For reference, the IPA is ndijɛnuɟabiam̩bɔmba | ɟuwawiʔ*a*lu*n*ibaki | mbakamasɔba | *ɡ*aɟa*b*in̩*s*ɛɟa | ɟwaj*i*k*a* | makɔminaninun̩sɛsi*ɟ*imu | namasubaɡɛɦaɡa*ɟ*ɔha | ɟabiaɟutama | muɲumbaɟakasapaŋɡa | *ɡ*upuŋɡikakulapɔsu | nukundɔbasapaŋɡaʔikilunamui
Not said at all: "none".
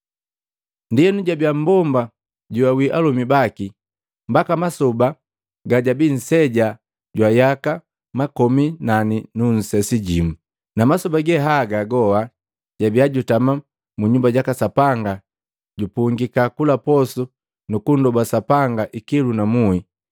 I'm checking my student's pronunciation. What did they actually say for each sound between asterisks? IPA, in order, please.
a, m, ɡ, b, s, a, a, ɟ, ɡ, ɟ

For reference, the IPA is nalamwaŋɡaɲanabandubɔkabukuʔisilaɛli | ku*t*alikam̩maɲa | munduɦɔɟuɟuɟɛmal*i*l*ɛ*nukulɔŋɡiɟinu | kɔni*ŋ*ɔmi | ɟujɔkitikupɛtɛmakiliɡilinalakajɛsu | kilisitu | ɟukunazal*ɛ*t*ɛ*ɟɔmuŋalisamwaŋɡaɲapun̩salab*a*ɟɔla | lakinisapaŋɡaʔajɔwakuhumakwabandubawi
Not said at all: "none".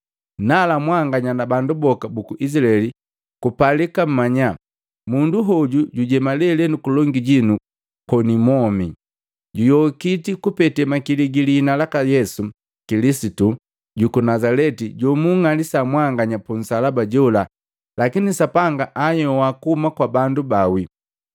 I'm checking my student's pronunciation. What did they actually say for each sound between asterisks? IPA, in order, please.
p, ɛ, ɛ, m, ɛ, i, a

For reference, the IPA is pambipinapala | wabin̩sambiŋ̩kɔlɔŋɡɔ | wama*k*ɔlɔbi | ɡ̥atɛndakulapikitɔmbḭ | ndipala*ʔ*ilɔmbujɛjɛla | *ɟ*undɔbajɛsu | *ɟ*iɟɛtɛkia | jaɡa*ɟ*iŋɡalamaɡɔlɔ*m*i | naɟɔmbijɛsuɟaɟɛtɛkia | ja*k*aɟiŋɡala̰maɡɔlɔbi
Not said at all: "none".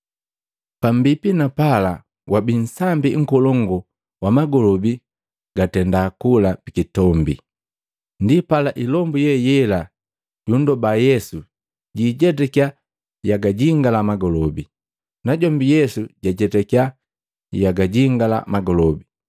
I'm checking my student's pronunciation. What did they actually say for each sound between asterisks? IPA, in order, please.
ɡ, ʔ, ɟ, ɟ, ɟ, b, ɡ

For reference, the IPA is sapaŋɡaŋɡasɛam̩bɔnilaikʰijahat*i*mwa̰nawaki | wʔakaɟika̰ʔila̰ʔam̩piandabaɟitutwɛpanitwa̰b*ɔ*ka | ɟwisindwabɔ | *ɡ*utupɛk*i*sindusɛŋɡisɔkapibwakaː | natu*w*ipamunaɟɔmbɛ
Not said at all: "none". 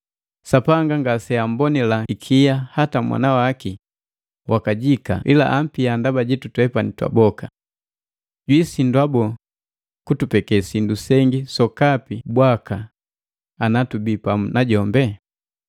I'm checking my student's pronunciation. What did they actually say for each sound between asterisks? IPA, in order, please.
a, ɔ, k, ɛ, b

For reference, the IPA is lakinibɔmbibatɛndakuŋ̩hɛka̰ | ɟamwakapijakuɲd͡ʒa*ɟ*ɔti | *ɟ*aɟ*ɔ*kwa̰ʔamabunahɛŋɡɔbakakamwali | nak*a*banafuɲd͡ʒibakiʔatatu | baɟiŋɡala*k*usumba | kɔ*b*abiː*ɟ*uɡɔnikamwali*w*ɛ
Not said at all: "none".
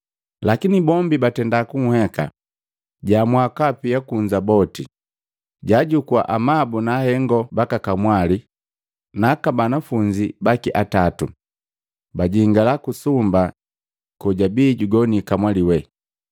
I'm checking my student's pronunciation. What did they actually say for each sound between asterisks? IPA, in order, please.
b, ɟ, u, a, k, ɟ, ɟ, w

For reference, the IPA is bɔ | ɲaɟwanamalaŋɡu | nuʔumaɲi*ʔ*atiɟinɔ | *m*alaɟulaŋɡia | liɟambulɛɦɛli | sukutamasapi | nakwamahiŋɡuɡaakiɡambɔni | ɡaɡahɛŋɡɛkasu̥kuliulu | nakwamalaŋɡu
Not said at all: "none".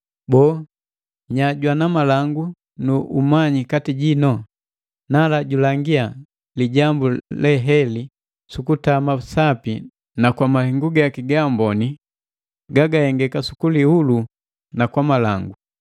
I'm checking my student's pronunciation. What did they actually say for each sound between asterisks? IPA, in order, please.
k, n

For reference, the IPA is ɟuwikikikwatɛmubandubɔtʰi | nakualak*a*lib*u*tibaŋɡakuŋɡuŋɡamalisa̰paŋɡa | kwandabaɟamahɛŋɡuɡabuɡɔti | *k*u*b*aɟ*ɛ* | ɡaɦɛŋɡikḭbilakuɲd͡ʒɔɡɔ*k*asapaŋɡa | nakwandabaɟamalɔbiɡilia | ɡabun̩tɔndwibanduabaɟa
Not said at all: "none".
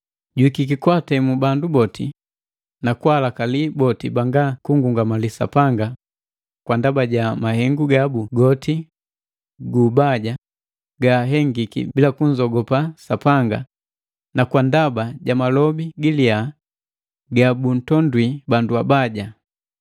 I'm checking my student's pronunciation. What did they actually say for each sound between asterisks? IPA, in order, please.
a, ɔ, ɡ, b, a, p

